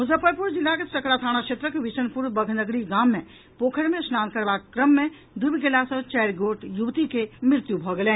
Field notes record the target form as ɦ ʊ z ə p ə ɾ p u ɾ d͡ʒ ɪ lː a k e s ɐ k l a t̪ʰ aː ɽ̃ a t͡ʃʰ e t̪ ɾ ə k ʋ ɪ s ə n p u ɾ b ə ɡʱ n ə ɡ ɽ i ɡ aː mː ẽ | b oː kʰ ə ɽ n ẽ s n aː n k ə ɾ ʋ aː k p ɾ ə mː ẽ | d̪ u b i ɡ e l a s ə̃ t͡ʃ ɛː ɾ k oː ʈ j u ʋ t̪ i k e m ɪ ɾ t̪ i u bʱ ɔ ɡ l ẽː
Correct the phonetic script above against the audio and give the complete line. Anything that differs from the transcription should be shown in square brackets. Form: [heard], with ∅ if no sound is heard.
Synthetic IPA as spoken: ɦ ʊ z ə p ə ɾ p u ɾ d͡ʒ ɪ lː a k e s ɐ k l a t̪ʰ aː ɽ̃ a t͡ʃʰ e t̪ ɾ ə k ʋ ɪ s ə n p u ɾ b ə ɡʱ n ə ɡ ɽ i ɡ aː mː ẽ | [p] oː kʰ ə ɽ [m] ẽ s n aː n k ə ɾ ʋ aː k [k] ɾ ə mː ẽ | d̪ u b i ɡ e l a s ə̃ t͡ʃ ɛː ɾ [ɡ] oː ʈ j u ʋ t̪ i k e m ɪ ɾ t̪ [j] u bʱ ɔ ɡ l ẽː